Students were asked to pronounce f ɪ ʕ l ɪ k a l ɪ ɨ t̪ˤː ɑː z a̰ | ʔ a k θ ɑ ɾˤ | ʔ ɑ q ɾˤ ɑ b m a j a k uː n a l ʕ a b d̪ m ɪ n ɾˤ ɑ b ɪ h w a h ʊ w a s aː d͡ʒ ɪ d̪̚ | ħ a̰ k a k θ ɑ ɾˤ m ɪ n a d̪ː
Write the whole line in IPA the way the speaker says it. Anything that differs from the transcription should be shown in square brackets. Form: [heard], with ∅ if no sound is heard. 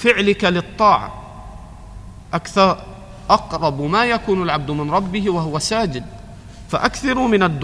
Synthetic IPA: f ɪ ʕ l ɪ k a l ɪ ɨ t̪ˤː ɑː [ʕ] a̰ | ʔ a k θ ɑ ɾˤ | ʔ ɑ q ɾˤ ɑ b m a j a k uː n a l ʕ a b d̪ m ɪ n ɾˤ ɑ [bː] ɪ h w a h ʊ w a s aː d͡ʒ ɪ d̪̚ | [f] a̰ [ʔ] a k θ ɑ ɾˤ m ɪ n a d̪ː